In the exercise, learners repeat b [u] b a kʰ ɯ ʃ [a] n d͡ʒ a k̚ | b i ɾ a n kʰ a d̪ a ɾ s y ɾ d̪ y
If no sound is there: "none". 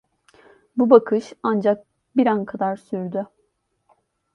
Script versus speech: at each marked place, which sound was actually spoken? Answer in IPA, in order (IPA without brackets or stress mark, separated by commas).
u, a